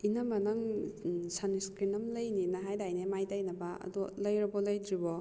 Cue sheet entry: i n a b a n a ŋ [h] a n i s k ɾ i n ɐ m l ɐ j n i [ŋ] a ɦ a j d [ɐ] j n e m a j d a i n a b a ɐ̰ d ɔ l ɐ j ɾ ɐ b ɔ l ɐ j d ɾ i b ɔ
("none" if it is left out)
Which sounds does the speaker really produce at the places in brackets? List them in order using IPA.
s, n, a

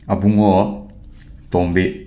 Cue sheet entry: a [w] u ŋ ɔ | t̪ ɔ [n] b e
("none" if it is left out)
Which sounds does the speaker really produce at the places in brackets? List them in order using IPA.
b, m

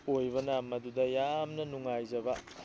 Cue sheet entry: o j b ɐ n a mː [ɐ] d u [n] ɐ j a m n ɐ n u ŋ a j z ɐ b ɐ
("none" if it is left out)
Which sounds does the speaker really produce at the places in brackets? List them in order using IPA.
ɐ, d

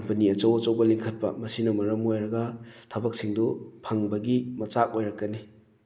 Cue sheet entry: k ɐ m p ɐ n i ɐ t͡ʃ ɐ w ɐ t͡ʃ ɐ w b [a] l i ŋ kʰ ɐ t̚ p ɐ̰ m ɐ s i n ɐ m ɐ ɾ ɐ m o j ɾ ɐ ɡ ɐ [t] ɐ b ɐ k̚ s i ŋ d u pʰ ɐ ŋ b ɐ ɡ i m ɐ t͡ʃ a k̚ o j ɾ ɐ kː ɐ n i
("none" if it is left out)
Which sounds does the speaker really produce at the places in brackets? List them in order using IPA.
ɐ, tʰ

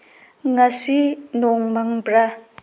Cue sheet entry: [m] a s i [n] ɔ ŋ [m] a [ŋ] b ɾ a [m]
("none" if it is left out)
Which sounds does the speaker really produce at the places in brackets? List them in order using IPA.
ŋ, n, m, ŋ, none

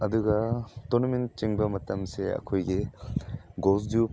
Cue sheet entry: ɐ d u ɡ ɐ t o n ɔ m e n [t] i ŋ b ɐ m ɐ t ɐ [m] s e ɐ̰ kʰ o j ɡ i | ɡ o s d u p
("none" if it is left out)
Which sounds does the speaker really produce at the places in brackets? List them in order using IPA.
t͡ʃ, m

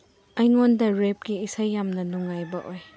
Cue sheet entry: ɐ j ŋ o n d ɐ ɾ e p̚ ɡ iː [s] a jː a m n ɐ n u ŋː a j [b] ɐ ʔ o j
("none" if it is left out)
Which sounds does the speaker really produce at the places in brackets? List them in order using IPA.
s, b

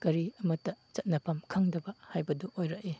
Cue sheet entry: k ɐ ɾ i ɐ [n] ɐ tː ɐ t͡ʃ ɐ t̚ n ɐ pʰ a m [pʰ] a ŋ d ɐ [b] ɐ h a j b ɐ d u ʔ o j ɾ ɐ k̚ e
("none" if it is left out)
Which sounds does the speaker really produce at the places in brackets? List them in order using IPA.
m, kʰ, b

